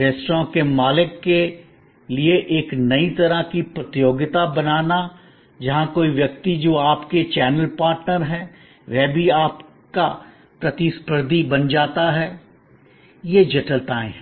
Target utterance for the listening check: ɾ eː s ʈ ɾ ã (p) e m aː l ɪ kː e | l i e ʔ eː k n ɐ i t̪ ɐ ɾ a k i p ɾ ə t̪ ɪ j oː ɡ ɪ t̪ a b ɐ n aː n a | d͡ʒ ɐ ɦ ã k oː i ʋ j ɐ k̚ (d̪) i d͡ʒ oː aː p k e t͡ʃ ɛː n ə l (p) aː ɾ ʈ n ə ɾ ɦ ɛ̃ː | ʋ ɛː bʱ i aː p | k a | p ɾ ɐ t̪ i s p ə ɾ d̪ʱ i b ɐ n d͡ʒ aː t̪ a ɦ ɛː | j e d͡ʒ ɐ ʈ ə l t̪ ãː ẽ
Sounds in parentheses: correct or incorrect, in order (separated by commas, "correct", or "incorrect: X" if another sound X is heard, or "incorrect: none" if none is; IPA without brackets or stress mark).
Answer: incorrect: k, incorrect: t̪, correct